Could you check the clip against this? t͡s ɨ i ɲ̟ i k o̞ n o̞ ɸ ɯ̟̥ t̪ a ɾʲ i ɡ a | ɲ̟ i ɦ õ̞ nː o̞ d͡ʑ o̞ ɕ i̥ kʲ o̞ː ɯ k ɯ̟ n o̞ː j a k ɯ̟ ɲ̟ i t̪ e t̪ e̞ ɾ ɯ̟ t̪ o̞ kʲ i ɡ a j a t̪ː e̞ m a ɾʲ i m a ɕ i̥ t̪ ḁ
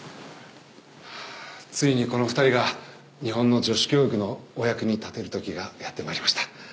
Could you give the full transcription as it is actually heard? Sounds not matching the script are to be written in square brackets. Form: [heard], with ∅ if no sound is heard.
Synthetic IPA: t͡s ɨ i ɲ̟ i k o̞ n o̞ ɸ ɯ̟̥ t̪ a ɾʲ i ɡ a | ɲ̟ i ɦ õ̞ nː o̞ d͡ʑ o̞ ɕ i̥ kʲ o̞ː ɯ k ɯ̟ n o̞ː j a k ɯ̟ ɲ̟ i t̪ [a] t̪ e̞ ɾ ɯ̟ t̪ o̞ kʲ i ɡ a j a t̪ː e̞ m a ɾʲ i m a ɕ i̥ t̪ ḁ

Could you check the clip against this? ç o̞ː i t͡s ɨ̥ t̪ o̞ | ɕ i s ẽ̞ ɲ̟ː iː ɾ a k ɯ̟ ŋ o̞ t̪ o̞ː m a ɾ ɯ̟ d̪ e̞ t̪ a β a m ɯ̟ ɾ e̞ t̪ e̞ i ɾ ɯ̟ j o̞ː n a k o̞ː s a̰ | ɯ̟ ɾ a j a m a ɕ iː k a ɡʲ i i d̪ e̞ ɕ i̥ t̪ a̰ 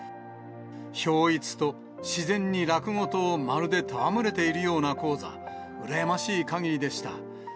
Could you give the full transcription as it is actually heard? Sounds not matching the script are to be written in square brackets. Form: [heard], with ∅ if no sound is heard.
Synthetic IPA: ç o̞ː i t͡s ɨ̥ t̪ o̞ | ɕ i [z] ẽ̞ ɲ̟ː [i] ɾ a k ɯ̟ ŋ o̞ t̪ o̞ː m a ɾ ɯ̟ d̪ e̞ t̪ a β a m ɯ̟ ɾ e̞ t̪ e̞ i ɾ ɯ̟ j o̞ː n a k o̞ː [z] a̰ | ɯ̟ ɾ a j a m a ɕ iː k a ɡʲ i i d̪ e̞ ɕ i̥ t̪ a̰

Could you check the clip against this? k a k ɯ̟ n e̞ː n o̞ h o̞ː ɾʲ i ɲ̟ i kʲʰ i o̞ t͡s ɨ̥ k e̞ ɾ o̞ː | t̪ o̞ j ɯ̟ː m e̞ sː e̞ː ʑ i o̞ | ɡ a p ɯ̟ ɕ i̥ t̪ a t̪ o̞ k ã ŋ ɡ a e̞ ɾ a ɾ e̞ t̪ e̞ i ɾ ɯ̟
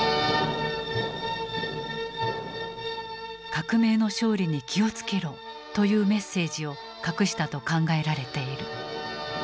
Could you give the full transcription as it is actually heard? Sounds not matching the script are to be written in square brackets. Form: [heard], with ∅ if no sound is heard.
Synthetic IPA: k a k ɯ̟ [m] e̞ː n o̞ [ɕ] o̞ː ɾʲ i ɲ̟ i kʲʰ i o̞ t͡s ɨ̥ k e̞ ɾ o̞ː | t̪ o̞ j ɯ̟ː m e̞ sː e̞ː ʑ i o̞ | [k] a [k] ɯ̟ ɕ i̥ t̪ a t̪ o̞ k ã ŋ ɡ a e̞ ɾ a ɾ e̞ t̪ e̞ i ɾ ɯ̟

